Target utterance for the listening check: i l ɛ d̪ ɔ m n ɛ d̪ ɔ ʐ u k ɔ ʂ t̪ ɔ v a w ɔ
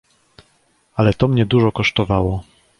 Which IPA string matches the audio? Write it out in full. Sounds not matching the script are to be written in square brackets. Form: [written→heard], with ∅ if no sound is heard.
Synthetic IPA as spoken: [i→a] l ɛ [d̪→t̪] ɔ m [n→ɲ] ɛ d̪ [ɔ→u] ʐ [u→ɔ] k ɔ ʂ t̪ ɔ v a w ɔ